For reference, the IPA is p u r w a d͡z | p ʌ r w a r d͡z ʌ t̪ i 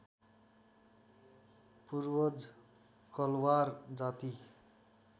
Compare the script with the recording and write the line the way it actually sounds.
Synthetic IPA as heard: p u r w ʌ d͡z | k ʌ l w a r d͡z a t̪ i